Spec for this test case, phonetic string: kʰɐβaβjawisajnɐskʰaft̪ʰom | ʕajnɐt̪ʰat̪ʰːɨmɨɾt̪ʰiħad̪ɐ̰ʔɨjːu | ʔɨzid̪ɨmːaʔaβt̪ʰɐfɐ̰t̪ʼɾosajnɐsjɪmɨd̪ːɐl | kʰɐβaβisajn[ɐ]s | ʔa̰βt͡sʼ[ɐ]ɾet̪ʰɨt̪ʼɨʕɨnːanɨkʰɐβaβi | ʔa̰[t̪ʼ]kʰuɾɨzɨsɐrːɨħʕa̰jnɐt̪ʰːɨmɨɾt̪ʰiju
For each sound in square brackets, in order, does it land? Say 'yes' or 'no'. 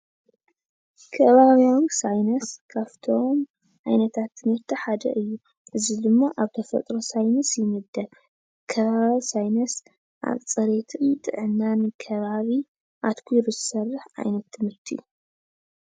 yes, yes, no

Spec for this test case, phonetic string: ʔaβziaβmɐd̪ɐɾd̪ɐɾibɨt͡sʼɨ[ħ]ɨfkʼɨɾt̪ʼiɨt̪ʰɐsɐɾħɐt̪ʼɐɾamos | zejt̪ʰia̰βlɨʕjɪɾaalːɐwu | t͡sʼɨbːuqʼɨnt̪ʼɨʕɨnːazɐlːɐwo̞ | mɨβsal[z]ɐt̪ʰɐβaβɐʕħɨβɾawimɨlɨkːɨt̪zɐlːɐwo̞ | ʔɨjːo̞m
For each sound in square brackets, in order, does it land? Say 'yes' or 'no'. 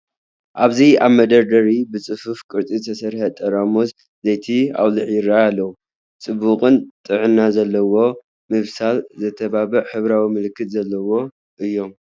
no, yes

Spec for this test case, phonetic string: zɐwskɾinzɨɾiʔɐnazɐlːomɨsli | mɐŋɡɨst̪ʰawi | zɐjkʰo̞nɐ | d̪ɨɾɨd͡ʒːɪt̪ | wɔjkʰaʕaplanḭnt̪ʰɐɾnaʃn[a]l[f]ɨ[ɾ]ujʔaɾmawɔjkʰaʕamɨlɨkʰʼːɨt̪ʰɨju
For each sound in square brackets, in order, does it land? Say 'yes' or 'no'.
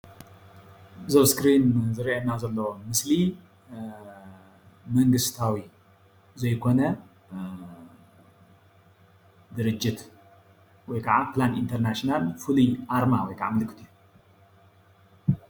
yes, yes, no

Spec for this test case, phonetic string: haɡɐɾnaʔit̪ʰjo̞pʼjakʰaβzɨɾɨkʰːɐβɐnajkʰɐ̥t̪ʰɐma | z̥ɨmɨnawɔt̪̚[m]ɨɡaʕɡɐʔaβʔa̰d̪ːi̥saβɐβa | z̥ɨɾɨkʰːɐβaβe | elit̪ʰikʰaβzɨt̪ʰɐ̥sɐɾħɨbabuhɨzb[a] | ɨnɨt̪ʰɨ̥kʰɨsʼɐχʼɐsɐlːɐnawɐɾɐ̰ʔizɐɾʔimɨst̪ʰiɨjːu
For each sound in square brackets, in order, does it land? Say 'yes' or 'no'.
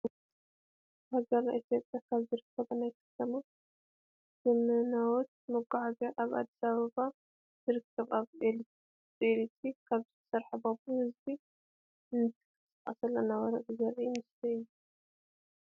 yes, no

